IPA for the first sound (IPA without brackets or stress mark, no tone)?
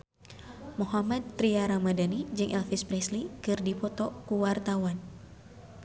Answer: m